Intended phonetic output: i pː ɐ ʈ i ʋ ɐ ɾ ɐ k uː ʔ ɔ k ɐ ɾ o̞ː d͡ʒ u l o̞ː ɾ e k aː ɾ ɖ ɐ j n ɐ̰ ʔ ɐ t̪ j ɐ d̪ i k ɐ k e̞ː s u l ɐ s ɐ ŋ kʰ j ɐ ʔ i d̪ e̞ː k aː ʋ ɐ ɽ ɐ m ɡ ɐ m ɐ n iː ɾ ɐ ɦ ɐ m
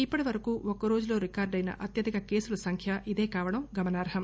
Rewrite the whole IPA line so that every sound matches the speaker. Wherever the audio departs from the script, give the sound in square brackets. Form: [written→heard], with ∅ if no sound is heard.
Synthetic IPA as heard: i pː ɐ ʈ i ʋ ɐ ɾ ɐ k uː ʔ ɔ k ɐ ɾ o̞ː d͡ʒ u l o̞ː ɾ [e→i] k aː ɾ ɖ ɐ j n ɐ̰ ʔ ɐ t̪ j ɐ d̪ i k ɐ k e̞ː s u l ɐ s ɐ ŋ kʰ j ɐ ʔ i d̪ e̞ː k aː ʋ ɐ ɽ ɐ m ɡ ɐ m ɐ n [iː→aː] ɾ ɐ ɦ ɐ m